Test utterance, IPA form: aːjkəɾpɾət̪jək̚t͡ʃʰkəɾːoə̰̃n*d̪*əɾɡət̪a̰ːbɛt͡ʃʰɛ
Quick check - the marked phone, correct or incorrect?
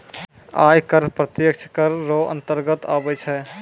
incorrect